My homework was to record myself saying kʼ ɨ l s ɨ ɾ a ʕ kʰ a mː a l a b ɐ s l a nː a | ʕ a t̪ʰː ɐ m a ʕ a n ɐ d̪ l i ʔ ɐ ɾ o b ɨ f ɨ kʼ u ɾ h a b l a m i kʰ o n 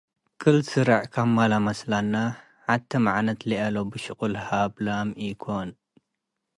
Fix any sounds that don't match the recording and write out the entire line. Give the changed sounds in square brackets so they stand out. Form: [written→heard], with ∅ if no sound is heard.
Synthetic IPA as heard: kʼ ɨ l s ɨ ɾ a ʕ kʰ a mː a l a [b→m] ɐ s l a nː a | ʕ a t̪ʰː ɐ m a ʕ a n ɐ [d̪→t̪] l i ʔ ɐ [ɾ→l] o b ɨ [f→ʃ] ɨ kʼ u [ɾ→l] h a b l a m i kʰ o n